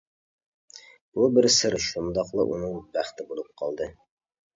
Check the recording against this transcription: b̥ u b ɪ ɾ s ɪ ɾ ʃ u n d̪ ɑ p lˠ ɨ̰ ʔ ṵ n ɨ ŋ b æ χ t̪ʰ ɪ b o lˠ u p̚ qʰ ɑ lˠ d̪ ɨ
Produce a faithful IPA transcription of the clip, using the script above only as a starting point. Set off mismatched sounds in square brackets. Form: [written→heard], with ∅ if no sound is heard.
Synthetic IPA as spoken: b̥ u b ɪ ɾ s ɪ ɾ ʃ u n d̪ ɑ [p→q] lˠ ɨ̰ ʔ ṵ n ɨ ŋ b æ χ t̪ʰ ɪ b o lˠ u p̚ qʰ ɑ lˠ d̪ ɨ